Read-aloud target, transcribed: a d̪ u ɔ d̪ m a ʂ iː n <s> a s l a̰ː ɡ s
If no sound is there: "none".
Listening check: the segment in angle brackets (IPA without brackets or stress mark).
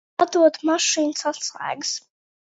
s